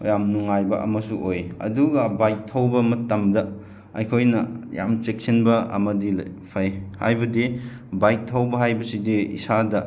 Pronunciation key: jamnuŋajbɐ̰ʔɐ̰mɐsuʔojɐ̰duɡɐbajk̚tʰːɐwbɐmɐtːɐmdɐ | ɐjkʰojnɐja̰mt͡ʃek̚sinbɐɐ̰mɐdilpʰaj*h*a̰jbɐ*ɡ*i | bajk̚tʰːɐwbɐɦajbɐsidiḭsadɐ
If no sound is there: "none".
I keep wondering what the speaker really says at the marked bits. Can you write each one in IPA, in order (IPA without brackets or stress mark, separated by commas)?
h, d